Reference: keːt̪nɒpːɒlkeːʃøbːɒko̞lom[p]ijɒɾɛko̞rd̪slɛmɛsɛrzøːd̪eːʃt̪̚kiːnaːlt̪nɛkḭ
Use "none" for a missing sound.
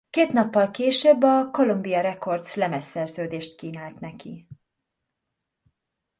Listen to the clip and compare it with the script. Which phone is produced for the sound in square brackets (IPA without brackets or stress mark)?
b